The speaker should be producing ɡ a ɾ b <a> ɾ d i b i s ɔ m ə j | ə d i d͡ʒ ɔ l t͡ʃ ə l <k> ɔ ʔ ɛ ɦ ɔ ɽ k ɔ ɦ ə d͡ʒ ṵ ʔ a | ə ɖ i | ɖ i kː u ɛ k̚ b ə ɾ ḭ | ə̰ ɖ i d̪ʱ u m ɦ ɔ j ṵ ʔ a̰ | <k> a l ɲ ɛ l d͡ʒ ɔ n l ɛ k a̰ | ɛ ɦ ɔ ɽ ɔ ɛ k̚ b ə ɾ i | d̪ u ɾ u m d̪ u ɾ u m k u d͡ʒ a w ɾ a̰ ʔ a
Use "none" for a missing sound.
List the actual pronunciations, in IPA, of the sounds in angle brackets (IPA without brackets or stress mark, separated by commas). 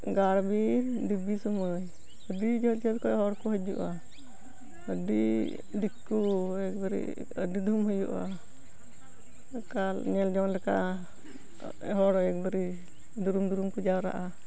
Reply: i, k, k